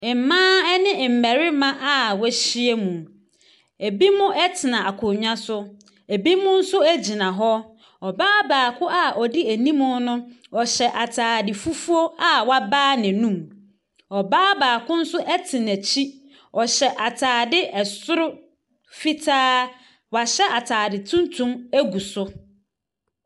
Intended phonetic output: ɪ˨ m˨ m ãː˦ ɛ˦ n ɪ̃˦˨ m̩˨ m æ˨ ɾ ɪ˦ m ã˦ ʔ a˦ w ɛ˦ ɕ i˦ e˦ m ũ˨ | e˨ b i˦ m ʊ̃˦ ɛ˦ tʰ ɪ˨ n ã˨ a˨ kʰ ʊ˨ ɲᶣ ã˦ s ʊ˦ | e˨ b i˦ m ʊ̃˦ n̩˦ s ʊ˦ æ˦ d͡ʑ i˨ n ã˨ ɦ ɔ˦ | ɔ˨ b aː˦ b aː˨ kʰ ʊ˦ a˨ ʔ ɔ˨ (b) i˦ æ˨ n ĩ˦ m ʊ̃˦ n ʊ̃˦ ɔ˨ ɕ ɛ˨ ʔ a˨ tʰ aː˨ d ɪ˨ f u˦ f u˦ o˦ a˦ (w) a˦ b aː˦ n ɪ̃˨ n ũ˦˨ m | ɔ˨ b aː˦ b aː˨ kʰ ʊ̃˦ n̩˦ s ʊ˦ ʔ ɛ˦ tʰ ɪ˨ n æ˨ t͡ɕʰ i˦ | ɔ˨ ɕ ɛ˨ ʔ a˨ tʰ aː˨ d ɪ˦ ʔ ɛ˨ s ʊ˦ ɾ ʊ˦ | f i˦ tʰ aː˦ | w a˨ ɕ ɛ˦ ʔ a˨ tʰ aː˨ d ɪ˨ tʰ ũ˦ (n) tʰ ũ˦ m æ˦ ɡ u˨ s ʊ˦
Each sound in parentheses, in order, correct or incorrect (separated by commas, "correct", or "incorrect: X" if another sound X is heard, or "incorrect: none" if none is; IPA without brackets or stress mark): incorrect: d, correct, correct